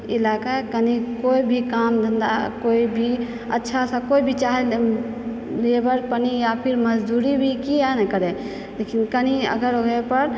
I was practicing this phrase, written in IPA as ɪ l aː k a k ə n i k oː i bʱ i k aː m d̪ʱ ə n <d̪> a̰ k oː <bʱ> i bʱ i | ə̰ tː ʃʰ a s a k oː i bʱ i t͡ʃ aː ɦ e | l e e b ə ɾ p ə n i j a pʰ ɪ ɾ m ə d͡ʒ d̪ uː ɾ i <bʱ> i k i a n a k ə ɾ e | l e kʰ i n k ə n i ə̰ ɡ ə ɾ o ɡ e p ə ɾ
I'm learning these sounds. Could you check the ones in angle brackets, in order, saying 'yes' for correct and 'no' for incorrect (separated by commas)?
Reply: yes, no, yes